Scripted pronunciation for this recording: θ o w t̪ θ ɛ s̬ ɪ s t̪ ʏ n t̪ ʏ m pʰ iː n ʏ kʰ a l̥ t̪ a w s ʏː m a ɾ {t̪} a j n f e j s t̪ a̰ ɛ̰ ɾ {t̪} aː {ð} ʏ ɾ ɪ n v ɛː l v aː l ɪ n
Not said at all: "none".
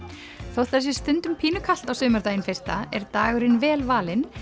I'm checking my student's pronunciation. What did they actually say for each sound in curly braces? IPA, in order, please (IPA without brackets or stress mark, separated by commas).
t̪, t̪, ɣ